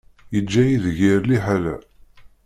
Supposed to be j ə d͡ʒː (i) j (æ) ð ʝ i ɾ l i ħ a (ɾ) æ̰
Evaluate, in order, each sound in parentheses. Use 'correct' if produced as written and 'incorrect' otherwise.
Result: incorrect, incorrect, incorrect

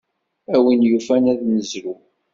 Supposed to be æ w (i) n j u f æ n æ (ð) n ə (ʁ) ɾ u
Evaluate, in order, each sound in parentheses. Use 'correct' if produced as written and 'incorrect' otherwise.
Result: correct, correct, incorrect

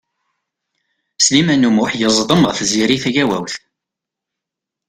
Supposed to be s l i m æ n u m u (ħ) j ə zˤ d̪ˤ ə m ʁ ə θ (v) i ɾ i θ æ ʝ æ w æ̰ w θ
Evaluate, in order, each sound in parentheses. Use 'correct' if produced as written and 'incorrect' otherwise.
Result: correct, incorrect

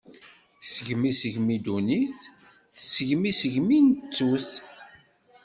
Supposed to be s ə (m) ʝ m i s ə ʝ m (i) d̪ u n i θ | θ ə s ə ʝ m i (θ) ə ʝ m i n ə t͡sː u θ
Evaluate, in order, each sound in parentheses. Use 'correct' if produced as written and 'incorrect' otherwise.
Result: incorrect, correct, incorrect

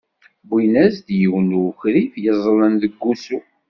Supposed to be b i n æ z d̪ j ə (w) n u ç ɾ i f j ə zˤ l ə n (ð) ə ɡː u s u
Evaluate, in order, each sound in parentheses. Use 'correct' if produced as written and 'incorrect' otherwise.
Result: correct, correct

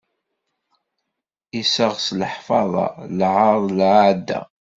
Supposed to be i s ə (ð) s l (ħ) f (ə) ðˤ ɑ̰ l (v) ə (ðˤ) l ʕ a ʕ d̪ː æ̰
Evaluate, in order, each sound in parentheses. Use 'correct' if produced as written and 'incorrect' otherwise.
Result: incorrect, correct, incorrect, incorrect, correct

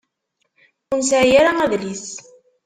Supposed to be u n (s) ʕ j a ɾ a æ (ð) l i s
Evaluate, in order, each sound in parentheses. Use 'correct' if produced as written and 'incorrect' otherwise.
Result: correct, correct

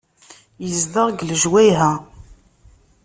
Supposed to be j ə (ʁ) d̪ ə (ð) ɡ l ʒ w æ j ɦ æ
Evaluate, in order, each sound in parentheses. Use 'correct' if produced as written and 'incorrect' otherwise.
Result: incorrect, incorrect

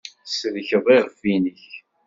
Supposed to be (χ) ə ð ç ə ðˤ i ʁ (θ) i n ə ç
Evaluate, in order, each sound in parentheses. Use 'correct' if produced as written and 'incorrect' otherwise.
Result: incorrect, incorrect

